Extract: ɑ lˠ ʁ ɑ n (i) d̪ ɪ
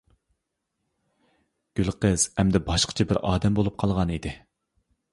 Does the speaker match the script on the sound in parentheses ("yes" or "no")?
yes